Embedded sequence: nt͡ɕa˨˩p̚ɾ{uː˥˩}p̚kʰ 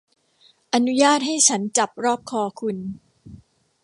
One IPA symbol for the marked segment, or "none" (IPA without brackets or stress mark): ɔː˥˩